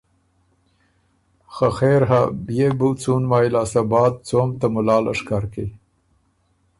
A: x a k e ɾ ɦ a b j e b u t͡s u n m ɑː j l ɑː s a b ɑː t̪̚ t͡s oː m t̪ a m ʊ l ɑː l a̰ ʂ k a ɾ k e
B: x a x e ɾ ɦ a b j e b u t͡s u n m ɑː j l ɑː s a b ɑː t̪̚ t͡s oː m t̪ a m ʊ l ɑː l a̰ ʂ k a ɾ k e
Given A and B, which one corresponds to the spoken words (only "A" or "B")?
B